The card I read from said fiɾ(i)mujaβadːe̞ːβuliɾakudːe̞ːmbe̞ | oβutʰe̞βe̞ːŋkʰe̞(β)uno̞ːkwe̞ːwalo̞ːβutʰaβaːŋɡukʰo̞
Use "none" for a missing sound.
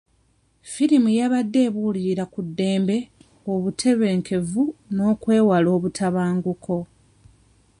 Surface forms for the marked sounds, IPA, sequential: i, v

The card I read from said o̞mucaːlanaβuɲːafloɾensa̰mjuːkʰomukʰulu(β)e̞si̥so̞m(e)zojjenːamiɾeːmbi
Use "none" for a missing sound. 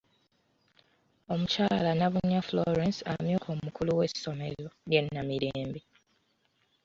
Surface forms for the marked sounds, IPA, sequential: w, e

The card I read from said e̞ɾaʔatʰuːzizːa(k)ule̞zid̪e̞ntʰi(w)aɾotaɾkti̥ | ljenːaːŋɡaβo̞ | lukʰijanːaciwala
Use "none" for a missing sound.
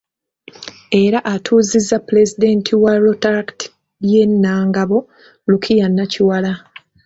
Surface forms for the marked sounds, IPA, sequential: p, w

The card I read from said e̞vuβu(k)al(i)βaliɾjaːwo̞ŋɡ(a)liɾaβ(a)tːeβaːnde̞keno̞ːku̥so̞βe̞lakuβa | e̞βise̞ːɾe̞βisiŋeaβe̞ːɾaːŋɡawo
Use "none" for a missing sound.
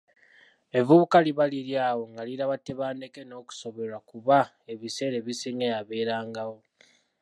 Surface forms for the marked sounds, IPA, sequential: k, i, a, a

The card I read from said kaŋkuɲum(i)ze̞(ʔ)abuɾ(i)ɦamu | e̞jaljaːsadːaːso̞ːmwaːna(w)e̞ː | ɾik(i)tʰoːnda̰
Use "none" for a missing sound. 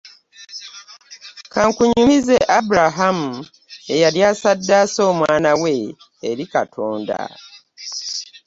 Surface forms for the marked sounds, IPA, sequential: i, ʔ, a, w, a

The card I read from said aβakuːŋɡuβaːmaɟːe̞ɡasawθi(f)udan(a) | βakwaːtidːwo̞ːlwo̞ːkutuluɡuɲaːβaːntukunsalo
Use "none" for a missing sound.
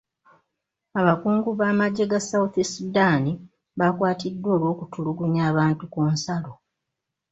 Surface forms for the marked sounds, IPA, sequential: s, i

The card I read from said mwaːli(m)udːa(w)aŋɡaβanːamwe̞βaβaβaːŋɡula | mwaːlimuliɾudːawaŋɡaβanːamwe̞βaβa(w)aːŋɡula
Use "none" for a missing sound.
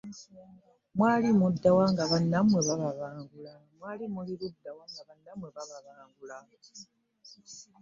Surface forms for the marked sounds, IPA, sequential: m, w, β

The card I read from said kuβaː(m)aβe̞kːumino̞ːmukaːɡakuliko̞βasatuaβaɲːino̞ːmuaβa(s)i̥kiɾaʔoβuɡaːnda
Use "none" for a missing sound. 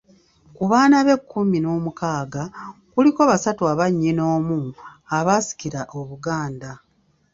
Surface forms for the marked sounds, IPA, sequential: n, s

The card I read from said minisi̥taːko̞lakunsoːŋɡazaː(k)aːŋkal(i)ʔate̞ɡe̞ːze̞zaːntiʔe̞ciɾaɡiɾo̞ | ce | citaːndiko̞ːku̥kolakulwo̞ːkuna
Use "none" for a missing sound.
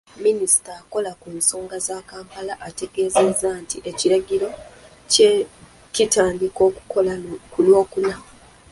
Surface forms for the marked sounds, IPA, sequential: k, a

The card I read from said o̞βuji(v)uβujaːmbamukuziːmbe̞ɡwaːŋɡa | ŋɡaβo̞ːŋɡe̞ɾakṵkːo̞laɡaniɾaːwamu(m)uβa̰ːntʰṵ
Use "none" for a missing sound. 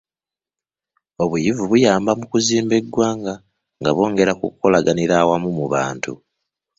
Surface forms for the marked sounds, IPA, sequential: v, m

